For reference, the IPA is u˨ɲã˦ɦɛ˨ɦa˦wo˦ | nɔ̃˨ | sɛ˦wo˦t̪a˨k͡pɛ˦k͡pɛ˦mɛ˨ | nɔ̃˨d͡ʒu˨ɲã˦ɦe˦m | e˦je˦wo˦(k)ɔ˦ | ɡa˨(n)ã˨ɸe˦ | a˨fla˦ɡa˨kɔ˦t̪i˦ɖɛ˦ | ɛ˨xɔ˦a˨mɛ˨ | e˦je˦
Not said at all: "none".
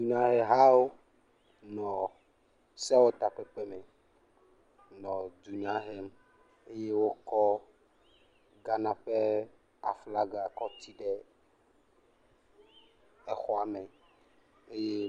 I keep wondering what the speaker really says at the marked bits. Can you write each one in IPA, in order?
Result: k, n

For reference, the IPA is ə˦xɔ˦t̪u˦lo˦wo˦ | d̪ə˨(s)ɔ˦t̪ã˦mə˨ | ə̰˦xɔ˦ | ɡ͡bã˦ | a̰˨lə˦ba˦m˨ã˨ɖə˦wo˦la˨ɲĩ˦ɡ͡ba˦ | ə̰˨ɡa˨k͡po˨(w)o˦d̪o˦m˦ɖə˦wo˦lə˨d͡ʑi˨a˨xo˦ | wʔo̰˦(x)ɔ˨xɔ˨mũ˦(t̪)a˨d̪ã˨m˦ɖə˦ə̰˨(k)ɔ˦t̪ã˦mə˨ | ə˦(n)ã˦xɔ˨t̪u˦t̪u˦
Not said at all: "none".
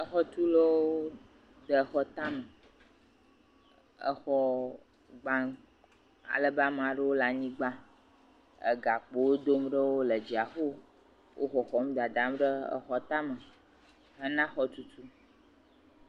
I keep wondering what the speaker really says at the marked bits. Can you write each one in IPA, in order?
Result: x, w, x, d̪, x, n

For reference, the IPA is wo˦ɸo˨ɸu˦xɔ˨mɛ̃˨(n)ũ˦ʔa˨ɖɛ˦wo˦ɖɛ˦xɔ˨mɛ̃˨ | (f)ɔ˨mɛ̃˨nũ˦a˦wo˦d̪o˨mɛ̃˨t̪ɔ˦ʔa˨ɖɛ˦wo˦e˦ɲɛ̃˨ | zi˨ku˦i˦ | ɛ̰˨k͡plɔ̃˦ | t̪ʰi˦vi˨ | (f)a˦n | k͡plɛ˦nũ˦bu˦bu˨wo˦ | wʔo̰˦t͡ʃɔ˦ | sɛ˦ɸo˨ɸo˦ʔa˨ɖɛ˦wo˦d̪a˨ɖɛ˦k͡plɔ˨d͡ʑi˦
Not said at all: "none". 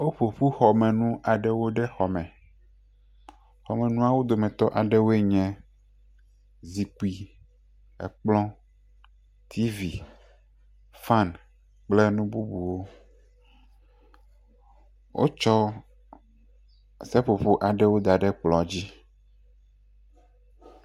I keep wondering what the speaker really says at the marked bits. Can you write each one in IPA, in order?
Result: n, x, f

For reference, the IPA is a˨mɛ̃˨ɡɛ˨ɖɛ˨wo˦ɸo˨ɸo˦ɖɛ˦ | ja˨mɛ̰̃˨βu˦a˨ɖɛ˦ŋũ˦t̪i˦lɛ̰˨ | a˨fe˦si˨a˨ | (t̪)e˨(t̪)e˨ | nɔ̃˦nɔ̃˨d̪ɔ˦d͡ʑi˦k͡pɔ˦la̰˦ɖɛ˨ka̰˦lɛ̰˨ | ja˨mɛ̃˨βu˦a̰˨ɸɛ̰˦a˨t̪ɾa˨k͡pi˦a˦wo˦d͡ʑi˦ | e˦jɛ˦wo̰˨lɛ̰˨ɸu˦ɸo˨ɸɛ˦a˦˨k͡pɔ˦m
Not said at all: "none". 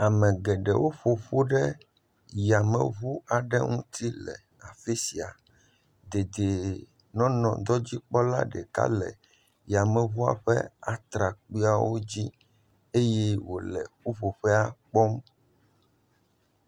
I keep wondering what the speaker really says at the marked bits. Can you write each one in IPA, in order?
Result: d̪, d̪

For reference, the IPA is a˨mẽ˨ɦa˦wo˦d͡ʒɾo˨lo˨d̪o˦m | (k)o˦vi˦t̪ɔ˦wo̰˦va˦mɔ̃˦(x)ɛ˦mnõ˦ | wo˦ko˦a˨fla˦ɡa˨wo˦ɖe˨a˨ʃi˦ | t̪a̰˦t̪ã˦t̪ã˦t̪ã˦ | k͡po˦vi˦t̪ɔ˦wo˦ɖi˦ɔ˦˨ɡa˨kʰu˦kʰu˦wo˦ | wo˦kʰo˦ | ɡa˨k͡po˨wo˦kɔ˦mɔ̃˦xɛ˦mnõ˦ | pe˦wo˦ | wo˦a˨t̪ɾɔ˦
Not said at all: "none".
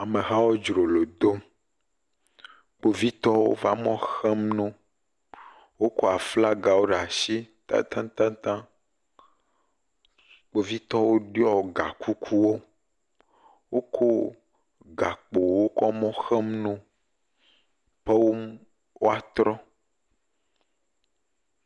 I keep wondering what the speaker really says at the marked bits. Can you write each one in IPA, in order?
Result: k͡p, x

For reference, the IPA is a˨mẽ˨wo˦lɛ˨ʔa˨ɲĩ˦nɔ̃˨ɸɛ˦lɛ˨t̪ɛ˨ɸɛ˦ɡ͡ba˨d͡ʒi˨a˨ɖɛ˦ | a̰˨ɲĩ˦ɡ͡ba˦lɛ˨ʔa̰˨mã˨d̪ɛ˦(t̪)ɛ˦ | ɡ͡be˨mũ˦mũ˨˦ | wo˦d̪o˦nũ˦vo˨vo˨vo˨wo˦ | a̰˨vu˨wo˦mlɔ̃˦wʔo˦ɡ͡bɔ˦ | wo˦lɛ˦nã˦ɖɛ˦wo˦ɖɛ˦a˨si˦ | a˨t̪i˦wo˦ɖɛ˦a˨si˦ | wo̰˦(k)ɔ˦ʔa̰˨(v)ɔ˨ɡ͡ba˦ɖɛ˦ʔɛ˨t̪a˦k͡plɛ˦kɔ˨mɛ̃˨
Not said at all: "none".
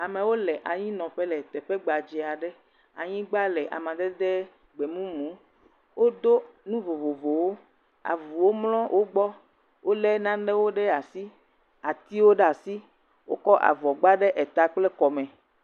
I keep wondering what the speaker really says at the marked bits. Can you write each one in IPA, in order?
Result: d̪, k, v

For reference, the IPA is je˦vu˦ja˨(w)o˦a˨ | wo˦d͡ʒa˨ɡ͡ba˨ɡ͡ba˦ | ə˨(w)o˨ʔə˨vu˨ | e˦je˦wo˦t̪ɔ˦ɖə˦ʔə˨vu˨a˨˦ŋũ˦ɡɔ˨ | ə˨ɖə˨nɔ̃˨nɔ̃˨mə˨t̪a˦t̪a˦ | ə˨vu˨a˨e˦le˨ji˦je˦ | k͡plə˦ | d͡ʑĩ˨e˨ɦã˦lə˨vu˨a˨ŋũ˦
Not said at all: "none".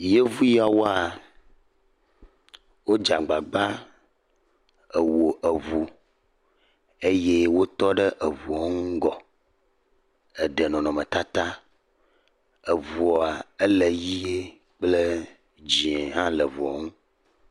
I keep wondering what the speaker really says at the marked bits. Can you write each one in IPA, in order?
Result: w, w

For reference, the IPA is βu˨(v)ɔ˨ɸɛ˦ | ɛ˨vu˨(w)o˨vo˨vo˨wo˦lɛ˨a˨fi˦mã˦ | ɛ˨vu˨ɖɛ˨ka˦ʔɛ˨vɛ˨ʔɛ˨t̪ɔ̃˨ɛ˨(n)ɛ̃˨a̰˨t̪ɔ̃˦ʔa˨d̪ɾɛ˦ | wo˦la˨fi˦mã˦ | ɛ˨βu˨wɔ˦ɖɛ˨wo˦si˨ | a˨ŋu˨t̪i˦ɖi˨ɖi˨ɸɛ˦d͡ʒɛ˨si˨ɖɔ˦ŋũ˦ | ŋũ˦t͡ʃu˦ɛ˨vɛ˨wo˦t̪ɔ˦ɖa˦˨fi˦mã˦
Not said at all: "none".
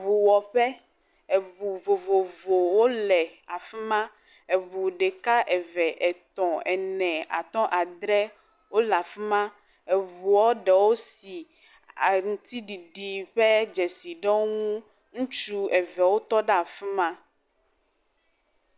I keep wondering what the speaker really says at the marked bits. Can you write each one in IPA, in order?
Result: w, v, n

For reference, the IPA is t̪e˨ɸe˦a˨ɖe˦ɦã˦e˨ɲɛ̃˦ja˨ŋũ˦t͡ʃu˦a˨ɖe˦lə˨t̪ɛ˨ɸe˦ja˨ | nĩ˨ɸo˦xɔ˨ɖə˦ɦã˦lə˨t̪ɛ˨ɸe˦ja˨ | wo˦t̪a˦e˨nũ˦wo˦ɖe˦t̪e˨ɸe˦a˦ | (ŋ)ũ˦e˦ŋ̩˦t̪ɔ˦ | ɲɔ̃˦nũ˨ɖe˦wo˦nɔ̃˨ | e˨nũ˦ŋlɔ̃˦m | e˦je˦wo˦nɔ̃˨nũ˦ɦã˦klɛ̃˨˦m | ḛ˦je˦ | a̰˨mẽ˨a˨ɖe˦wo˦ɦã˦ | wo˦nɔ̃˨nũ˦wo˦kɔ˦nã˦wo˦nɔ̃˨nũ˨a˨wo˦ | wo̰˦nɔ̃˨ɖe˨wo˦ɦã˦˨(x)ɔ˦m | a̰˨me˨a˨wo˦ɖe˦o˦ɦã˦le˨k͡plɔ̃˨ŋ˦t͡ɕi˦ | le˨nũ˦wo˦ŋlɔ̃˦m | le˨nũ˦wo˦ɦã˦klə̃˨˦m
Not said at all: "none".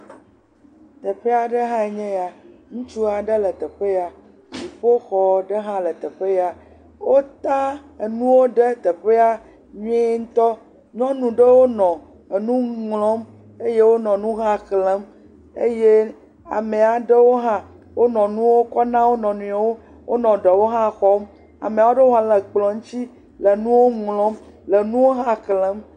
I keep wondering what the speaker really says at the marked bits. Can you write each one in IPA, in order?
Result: ɲ, x

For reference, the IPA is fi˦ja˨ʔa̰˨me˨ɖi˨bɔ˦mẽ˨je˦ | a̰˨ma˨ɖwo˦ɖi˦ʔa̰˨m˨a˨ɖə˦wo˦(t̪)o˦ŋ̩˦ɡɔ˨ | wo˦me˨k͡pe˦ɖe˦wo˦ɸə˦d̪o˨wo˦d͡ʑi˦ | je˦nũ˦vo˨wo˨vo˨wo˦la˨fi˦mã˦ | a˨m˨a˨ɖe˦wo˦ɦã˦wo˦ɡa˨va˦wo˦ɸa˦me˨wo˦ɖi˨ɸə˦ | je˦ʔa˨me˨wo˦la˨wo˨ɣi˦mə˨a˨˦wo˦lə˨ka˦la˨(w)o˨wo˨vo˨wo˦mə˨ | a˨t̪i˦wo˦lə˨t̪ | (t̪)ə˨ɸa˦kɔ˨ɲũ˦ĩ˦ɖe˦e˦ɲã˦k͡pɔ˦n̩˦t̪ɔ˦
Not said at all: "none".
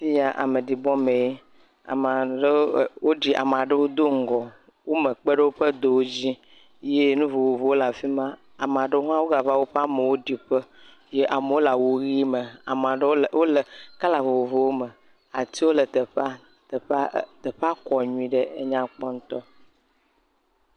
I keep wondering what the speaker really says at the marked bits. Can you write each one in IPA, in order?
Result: d̪, v, t̪

